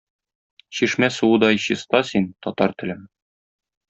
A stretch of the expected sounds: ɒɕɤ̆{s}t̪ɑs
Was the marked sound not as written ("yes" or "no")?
no